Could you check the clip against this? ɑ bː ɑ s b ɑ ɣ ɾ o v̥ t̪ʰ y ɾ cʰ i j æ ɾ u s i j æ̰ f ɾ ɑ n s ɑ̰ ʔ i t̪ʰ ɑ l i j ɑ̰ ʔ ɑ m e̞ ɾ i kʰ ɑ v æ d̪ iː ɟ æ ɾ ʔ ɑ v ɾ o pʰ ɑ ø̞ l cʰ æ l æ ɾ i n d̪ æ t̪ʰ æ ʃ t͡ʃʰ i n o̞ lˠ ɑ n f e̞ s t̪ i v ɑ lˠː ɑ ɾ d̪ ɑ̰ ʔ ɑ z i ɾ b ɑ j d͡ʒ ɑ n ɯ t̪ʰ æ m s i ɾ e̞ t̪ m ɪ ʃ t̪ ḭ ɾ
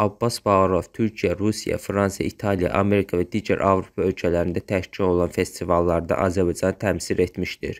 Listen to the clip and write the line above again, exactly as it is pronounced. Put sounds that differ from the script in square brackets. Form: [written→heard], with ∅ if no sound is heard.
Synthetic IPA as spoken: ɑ bː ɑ s b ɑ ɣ ɾ o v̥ t̪ʰ y ɾ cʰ i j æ ɾ u s i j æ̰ f ɾ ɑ n s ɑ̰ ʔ i t̪ʰ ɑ l i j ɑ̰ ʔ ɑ m e̞ ɾ i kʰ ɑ v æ d̪ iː ɟ æ ɾ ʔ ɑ v ɾ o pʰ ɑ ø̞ l cʰ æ l æ ɾ i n d̪ æ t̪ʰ æ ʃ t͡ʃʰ i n o̞ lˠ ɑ n f e̞ s t̪ i v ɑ lˠː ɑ ɾ d̪ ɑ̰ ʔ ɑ z [i→æ] ɾ b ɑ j d͡ʒ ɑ n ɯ t̪ʰ æ m s i ɾ e̞ t̪ m [ɪ→i] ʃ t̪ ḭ ɾ